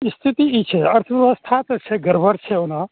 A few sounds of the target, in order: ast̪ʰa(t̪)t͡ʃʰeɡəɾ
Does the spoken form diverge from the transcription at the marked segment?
no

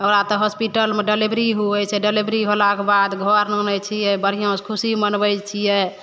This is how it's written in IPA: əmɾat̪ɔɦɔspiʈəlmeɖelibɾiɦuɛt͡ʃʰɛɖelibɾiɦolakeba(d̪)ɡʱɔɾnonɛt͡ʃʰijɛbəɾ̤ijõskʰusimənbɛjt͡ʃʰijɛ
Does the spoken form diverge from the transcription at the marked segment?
no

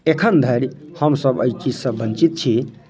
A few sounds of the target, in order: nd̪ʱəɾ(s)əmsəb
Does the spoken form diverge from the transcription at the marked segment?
yes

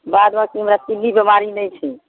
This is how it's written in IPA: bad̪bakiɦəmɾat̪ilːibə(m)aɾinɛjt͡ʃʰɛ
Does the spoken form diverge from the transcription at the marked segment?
no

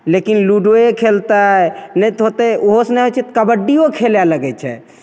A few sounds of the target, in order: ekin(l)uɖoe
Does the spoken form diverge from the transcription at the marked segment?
no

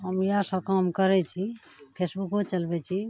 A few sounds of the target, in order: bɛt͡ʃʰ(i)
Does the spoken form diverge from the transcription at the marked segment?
no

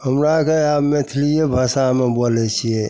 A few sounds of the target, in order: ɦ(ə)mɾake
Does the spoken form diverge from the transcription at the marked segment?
no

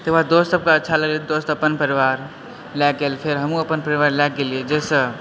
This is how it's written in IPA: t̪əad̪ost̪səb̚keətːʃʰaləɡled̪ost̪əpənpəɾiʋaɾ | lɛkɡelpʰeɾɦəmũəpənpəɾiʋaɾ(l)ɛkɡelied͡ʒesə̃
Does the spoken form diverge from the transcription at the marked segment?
no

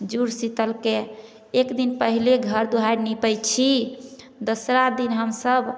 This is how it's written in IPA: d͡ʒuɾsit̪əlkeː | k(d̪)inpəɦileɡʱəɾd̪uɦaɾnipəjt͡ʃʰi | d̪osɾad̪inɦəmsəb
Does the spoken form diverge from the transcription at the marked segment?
no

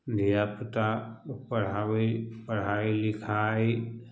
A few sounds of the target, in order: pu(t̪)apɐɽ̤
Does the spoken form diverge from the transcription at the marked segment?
no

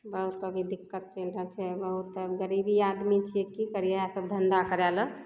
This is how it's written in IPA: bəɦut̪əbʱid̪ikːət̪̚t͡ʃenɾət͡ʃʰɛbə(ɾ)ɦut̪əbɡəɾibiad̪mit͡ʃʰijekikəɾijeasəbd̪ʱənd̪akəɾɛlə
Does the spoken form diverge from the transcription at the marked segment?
yes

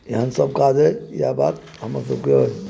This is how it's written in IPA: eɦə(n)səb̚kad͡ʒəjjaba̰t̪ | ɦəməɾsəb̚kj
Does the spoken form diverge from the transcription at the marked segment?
no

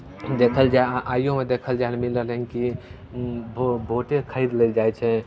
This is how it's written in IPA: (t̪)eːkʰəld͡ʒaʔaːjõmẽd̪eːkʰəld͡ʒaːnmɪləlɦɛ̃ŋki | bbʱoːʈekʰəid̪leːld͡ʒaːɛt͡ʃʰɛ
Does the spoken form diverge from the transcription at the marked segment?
yes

